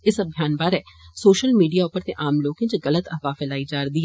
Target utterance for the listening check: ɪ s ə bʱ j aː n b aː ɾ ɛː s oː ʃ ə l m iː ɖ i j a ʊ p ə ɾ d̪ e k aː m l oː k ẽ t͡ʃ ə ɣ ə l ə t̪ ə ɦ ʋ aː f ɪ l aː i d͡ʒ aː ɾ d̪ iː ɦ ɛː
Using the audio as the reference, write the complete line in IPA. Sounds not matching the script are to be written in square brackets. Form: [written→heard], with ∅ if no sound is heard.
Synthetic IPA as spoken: ɪ s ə bʱ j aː n b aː ɾ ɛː s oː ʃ ə l m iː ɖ i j a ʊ p ə ɾ [d̪→t̪] e [k→ʔ] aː m l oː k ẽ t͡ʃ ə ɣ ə l ə t̪ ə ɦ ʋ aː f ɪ l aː i d͡ʒ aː ɾ d̪ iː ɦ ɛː